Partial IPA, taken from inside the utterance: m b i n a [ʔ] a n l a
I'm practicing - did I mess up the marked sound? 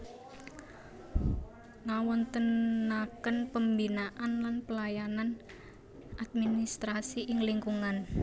no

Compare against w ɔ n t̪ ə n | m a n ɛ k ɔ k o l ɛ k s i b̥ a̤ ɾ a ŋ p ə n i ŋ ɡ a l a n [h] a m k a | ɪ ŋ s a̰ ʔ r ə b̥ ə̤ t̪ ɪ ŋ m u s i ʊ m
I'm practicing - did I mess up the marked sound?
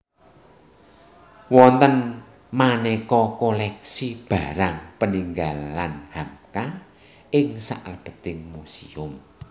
no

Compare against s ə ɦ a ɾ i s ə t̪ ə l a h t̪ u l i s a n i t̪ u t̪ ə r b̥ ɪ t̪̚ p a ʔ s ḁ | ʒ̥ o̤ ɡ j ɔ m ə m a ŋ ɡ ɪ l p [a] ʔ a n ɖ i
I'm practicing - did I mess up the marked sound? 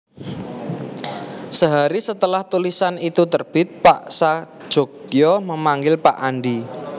no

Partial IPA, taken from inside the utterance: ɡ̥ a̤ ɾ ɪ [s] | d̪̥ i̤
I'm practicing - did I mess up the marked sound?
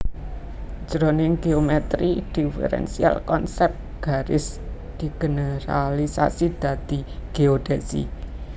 no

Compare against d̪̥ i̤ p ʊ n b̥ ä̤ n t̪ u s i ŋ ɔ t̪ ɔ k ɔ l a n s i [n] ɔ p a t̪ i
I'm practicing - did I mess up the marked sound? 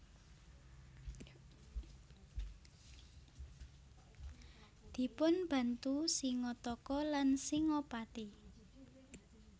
yes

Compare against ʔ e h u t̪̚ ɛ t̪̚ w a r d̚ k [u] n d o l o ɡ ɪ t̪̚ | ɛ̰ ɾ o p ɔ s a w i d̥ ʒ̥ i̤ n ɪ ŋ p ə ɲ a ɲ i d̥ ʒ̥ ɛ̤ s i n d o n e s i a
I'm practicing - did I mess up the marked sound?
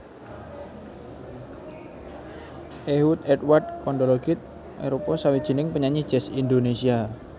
yes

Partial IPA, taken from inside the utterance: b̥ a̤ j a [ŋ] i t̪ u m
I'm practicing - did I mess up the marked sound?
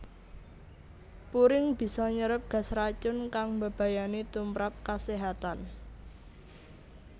yes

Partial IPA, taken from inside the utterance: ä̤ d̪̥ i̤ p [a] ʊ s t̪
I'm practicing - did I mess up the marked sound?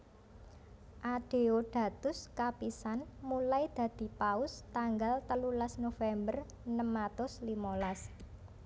no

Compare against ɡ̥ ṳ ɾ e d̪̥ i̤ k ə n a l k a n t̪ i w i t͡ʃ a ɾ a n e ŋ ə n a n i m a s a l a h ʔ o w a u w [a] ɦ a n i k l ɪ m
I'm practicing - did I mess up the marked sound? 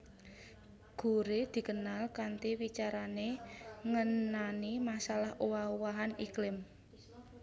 no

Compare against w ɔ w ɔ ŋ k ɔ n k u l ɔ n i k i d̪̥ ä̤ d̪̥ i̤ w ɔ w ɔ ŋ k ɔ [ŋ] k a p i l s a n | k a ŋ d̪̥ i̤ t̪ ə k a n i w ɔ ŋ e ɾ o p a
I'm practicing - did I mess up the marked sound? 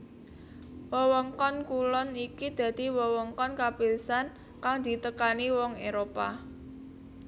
yes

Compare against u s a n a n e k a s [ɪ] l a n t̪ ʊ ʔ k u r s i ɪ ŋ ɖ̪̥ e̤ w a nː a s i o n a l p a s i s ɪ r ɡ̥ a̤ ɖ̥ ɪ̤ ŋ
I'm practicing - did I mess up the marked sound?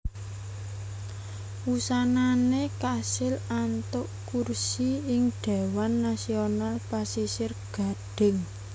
no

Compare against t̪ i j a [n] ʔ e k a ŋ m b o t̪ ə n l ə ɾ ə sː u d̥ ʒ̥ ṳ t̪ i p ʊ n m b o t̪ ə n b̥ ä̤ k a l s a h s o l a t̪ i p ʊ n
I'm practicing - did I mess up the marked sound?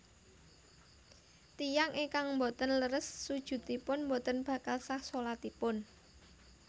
yes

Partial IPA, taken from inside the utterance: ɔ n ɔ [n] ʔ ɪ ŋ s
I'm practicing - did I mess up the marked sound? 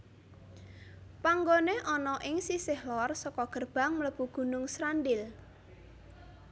yes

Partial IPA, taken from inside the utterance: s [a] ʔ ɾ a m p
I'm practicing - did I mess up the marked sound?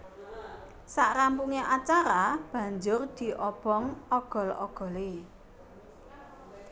no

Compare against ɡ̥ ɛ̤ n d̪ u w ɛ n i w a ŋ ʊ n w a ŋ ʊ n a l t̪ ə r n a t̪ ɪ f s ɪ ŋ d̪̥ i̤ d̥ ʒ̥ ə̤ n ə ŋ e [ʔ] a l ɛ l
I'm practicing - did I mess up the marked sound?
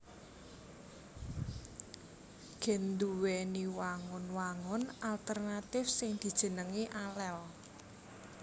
no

